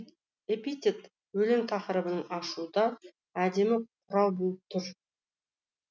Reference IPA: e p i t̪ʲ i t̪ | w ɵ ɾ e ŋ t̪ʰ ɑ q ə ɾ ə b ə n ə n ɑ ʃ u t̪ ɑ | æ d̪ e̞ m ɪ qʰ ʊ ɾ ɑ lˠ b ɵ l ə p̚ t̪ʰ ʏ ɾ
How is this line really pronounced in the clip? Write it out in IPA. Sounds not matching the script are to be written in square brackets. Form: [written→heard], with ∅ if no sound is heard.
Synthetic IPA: e p i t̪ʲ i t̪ | w ɵ [ɾ→l] e ŋ t̪ʰ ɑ q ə ɾ ə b ə n ə [n→ɴ] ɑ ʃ u [t̪→d̪] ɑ | æ d̪ e̞ m ɪ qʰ ʊ ɾ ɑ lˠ b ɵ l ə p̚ t̪ʰ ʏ ɾ